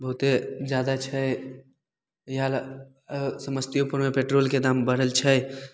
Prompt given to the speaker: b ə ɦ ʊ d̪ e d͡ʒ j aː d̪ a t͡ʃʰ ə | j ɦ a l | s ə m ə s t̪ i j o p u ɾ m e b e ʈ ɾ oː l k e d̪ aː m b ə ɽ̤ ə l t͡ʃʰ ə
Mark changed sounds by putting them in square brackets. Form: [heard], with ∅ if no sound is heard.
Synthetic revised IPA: b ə ɦ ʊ [t̪] e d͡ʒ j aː d̪ a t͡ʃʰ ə | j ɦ a l | s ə m ə s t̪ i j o p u ɾ m e [p] e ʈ ɾ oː l k e d̪ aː m b ə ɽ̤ ə l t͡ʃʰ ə

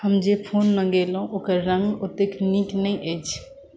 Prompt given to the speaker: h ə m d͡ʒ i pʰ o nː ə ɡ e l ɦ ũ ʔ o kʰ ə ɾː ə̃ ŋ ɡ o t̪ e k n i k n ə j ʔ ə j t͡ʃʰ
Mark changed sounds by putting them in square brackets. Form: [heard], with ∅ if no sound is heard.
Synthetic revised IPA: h ə m d͡ʒ [e] pʰ o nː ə ɡ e l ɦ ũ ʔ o [k] ə ɾː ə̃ ŋ ɡ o t̪ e k n i k n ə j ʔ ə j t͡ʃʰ

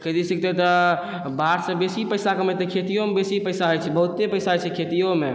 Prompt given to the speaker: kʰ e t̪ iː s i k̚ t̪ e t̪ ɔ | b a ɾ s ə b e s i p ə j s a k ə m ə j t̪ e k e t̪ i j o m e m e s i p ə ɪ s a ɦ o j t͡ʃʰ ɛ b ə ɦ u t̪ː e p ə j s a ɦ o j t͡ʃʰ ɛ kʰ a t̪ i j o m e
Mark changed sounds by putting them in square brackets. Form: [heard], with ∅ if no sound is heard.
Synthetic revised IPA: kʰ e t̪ [i] s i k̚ t̪ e t̪ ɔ | b a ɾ s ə b e s i p ə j s a k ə m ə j t̪ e [kʰ] e t̪ i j o m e [b] e s i p ə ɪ s a ɦ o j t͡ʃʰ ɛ b ə ɦ u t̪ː e p ə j s a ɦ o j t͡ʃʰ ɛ kʰ [e] t̪ i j o m e

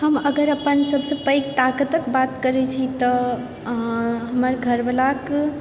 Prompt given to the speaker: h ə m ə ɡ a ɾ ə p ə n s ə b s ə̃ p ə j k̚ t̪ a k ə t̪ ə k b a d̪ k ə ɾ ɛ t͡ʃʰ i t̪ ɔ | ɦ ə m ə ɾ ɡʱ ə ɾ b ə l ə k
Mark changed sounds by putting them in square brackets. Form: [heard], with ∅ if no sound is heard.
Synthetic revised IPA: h ə m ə ɡ [ə] ɾ ə p ə n s ə b s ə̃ p ə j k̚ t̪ a k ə t̪ ə k b a [t̪] k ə ɾ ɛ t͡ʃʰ i t̪ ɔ | ɦ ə m ə ɾ ɡʱ ə ɾ b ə l [a] k

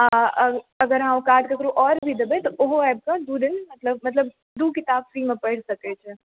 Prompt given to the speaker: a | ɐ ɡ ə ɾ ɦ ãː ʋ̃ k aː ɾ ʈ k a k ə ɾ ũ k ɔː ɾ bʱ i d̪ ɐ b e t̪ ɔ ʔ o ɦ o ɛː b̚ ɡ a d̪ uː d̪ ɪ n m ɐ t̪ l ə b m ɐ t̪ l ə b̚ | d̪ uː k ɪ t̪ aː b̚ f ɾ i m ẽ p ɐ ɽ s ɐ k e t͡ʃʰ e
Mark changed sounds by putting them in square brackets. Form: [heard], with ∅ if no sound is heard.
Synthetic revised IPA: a | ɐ ɡ ə ɾ ɦ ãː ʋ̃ k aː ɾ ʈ k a k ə ɾ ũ [ʔ] ɔː ɾ bʱ i d̪ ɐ b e t̪ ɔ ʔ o ɦ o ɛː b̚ [k] a d̪ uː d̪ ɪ n m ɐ t̪ l ə b m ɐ t̪ l ə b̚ | d̪ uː k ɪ t̪ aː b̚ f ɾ i m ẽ p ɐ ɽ s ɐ k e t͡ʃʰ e

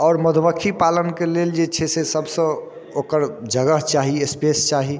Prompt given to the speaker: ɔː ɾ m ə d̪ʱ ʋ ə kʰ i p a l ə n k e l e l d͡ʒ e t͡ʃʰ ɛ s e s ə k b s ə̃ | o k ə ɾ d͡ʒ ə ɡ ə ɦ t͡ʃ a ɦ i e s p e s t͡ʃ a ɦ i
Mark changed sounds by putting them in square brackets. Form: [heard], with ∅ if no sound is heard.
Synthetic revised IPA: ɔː ɾ m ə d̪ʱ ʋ ə kʰ i p a l ə n k e l e l d͡ʒ e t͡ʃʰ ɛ s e s ə [∅] b s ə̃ | o k ə ɾ d͡ʒ ə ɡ ə ɦ t͡ʃ a ɦ i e s p e s t͡ʃ a ɦ i

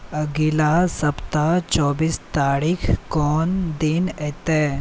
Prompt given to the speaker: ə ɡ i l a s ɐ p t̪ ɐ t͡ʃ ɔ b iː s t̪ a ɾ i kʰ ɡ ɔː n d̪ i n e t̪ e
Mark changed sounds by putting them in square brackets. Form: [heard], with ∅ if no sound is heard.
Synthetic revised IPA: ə ɡ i l a s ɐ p t̪ [a] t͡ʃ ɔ b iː s t̪ a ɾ i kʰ [k] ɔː n d̪ i n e t̪ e

